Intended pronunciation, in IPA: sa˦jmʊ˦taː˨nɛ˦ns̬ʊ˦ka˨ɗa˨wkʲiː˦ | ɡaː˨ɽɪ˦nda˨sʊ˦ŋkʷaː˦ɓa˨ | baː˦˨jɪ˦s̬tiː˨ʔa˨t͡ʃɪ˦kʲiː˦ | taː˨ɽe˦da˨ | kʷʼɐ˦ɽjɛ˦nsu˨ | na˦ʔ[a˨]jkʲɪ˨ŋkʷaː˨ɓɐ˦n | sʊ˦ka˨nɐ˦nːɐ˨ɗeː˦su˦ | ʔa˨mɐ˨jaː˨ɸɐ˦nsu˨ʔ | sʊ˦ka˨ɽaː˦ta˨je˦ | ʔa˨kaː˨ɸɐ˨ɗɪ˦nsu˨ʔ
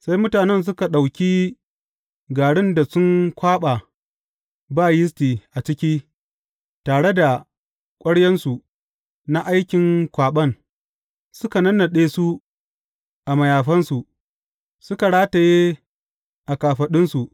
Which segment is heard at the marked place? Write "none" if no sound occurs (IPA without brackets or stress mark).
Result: a˦